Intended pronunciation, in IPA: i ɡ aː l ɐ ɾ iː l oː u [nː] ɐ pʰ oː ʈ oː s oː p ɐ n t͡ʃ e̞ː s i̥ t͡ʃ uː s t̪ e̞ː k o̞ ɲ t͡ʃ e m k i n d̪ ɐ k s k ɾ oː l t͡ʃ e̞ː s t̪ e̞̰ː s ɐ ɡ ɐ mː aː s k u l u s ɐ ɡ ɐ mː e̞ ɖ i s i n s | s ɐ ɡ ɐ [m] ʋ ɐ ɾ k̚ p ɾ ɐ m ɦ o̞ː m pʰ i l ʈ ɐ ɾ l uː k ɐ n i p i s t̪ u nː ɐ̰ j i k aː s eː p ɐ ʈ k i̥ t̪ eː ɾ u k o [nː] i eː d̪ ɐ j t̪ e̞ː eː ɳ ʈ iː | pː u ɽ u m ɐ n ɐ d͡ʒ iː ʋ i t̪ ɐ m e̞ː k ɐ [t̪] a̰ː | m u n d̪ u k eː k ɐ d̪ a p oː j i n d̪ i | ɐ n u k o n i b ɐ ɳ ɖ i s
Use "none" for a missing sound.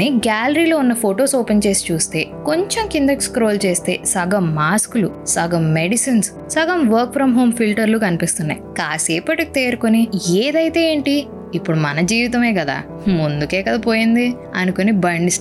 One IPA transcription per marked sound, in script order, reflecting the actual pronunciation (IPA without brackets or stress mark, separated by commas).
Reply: nː, m, n, d̪